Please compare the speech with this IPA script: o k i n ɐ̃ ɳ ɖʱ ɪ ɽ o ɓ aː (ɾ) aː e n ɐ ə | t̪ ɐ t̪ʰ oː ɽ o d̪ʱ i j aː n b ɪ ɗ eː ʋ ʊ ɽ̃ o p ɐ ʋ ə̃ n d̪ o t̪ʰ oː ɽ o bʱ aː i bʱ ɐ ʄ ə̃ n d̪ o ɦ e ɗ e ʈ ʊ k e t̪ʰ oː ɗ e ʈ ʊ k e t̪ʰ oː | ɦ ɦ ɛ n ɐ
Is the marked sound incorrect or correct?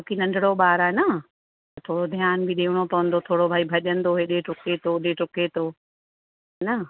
correct